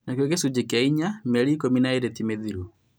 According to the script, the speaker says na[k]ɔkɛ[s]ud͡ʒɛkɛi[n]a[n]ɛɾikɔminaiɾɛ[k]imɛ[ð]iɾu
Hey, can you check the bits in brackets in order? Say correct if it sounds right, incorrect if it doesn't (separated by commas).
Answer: correct, correct, incorrect, incorrect, incorrect, correct